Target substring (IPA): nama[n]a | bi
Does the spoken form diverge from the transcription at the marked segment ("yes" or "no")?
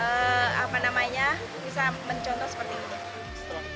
yes